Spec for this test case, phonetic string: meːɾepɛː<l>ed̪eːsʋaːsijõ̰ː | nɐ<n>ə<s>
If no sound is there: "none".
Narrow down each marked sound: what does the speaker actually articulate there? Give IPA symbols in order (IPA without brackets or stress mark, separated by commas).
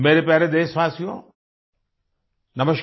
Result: ɾ, m, ʃ